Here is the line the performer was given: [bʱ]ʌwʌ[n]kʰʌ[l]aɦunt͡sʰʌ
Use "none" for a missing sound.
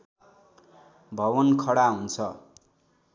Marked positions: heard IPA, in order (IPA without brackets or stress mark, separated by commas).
bʱ, n, ɽ